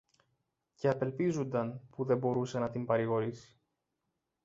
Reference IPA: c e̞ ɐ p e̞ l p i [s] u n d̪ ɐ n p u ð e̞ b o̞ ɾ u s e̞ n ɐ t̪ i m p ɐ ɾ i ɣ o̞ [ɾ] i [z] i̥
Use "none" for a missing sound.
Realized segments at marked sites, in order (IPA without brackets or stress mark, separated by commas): z, ɾ, s